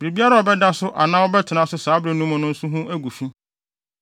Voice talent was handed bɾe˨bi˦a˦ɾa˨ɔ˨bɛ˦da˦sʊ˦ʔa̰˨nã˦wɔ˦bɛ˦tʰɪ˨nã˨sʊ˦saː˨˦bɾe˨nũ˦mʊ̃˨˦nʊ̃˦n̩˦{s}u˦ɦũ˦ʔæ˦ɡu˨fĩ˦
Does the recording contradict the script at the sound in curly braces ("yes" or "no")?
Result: no